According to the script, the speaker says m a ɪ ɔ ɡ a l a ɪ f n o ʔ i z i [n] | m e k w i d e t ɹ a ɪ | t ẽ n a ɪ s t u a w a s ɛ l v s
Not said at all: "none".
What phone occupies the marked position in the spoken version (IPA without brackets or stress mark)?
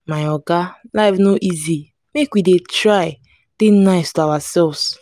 none